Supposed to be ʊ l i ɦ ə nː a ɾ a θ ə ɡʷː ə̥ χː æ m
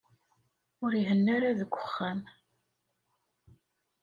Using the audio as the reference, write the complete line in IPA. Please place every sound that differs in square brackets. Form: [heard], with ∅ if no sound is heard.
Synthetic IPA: ʊ [ɾ] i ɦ ə nː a ɾ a [ð] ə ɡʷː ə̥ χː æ m

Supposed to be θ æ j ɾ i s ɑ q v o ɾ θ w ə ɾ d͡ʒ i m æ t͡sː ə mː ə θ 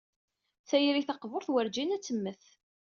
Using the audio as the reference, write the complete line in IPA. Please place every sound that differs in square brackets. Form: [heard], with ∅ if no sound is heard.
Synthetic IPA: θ æ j ɾ i [θ] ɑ q v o ɾ θ w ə ɾ d͡ʒ i [n] æ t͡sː ə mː ə θ

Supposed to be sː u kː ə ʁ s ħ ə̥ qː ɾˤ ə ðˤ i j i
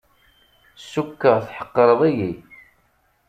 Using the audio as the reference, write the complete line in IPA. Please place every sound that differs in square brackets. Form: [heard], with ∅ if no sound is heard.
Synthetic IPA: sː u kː ə ʁ [θ] ħ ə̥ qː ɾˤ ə ðˤ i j i

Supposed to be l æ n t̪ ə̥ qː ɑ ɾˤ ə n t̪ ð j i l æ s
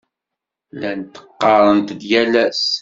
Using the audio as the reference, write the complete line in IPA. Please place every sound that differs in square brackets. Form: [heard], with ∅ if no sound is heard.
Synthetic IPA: l æ n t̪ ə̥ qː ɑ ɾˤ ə n t̪ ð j [æ] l æ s

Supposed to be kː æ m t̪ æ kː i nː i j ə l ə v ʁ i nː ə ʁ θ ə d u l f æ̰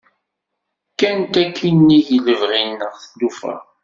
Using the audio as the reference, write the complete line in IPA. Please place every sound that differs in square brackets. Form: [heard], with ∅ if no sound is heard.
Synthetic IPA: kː æ [n] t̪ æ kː i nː i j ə l ə v ʁ i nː ə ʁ θ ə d u [∅] f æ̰

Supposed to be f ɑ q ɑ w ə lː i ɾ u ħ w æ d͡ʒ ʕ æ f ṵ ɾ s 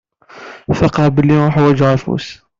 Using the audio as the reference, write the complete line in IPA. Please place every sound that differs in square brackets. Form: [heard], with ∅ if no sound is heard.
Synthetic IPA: f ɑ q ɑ [b] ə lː i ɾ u ħ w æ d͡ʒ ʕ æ f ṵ [∅] s

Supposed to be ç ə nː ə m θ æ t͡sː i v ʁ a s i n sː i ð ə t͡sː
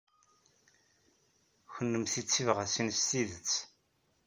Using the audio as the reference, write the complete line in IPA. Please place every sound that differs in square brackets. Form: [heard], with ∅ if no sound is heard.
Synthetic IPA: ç ə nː ə m θ [i] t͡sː i v ʁ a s i n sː i ð ə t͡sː

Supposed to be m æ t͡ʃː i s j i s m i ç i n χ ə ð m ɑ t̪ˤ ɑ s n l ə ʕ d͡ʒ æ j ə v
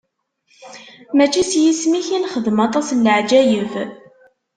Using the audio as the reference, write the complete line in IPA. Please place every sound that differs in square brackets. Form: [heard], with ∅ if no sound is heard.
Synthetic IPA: m æ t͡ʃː i s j i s m i ç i n χ ə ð m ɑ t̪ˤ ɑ s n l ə ʕ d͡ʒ æ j ə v

